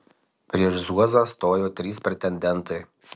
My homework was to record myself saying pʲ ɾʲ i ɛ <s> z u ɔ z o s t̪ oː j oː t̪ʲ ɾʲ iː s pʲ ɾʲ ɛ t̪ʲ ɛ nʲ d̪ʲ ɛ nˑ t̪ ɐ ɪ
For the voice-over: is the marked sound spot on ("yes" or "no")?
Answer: no